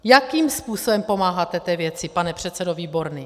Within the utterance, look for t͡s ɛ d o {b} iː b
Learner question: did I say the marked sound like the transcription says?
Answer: no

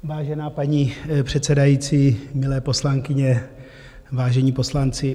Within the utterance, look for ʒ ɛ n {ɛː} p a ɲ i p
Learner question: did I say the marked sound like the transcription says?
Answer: no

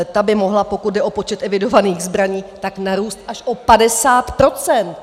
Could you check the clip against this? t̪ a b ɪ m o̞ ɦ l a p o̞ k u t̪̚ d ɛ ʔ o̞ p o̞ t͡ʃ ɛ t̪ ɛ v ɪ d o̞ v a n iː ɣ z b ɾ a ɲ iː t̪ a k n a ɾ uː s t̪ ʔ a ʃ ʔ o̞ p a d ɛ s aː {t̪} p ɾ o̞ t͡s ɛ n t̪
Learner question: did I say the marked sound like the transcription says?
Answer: yes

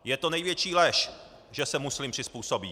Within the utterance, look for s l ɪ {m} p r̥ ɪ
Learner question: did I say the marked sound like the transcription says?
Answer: yes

